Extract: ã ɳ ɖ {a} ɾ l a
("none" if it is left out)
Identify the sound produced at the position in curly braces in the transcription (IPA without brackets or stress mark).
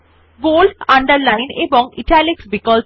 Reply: ə